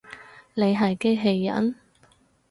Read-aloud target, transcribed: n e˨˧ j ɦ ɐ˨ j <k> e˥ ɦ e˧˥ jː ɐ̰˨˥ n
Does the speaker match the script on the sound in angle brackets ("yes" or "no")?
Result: yes